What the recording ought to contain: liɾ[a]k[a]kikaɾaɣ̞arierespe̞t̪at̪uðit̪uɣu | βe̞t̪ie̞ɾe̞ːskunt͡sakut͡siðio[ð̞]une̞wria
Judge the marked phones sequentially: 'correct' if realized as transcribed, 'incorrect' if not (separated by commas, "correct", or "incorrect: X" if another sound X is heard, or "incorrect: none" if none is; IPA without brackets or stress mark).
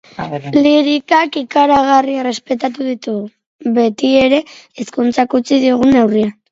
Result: incorrect: i, correct, incorrect: ɣ̞